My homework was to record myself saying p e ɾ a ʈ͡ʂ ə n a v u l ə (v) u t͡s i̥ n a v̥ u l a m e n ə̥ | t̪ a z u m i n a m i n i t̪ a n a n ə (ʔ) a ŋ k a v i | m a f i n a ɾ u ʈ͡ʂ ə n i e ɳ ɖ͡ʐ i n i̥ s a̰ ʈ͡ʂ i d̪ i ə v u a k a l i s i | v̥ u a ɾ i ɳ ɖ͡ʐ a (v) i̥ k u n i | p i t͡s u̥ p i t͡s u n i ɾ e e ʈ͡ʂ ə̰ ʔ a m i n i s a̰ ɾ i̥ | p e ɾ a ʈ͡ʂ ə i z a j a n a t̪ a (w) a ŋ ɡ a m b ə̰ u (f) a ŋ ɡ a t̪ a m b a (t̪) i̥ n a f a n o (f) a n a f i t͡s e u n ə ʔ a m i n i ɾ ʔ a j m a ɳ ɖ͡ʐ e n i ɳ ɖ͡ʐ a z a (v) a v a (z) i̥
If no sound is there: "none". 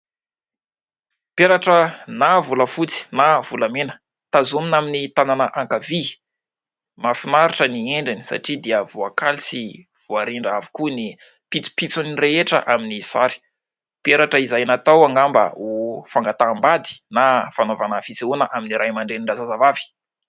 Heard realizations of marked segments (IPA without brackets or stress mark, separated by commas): f, ʔ, v, w, f, d̪, v, z, v